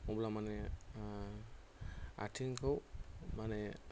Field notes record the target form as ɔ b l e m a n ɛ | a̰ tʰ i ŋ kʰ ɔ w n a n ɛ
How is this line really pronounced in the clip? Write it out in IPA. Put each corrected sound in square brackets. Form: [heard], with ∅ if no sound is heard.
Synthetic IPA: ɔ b l [a] m a n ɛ | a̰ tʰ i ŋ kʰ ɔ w [m] a n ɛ